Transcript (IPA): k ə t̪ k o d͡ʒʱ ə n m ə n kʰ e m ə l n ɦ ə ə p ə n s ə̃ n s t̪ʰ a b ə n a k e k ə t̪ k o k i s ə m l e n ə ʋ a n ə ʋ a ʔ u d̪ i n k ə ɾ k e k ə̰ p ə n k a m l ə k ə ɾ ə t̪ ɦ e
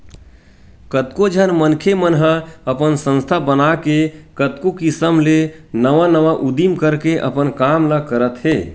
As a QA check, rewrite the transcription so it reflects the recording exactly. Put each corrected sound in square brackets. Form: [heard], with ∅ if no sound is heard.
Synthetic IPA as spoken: k ə t̪ k o d͡ʒʱ ə n m ə n kʰ e m ə [∅] n ɦ ə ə p ə n s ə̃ n s t̪ʰ a b ə n a k e k ə t̪ k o k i s ə m l e n ə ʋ a n ə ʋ a ʔ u d̪ i [m] k ə ɾ k e [ʔ] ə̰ p ə n k a m l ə k ə ɾ ə t̪ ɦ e

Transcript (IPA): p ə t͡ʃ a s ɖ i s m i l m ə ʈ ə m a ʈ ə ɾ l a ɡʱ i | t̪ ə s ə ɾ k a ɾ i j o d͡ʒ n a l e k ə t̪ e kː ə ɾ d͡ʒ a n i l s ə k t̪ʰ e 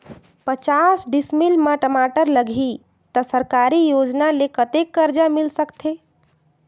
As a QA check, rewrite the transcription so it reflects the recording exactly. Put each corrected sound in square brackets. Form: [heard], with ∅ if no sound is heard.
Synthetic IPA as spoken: p ə t͡ʃ a s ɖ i s m i l m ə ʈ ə m a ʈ ə ɾ l [ə] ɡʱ i | t̪ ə s ə ɾ k a ɾ i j o d͡ʒ n a l e k ə t̪ e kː ə ɾ d͡ʒ a [m] i l s ə k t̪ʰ e

